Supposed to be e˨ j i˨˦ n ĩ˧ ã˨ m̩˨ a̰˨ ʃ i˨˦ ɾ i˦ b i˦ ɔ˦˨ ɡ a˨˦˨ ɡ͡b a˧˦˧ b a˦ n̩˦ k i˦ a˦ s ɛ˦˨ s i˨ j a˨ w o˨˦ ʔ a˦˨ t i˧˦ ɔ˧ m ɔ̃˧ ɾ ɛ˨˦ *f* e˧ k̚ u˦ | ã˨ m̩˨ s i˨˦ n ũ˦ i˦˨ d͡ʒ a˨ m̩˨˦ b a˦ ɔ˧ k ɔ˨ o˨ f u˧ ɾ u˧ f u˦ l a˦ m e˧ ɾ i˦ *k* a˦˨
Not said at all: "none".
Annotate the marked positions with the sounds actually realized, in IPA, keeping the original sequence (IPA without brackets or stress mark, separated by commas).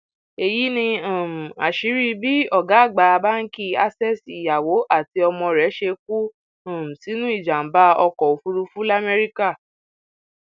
ʃ, k